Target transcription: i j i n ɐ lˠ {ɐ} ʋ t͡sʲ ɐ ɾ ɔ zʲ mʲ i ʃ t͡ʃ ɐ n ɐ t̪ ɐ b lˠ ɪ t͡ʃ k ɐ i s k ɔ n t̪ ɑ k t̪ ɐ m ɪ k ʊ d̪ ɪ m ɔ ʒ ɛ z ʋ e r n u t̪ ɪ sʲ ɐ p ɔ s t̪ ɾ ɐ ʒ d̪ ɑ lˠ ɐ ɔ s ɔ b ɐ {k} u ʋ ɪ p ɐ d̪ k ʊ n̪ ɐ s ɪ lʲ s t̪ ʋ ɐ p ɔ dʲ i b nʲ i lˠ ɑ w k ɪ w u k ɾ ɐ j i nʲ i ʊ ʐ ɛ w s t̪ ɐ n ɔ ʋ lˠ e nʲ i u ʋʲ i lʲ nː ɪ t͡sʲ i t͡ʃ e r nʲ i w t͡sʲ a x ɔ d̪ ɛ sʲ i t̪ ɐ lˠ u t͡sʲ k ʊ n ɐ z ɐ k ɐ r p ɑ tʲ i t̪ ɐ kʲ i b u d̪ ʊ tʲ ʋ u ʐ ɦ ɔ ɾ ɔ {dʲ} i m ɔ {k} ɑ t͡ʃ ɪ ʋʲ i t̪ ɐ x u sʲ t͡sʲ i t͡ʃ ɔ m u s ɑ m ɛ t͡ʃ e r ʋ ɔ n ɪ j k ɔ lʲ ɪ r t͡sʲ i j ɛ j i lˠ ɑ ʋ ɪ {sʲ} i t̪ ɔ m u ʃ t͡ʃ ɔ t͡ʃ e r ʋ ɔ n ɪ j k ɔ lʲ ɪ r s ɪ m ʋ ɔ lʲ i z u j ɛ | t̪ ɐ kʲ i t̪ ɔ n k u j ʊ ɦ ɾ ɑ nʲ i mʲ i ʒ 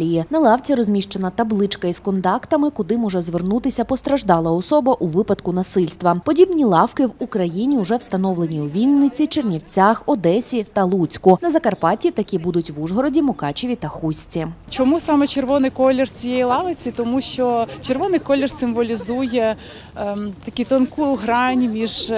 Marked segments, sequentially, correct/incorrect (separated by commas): incorrect, incorrect, correct, correct, incorrect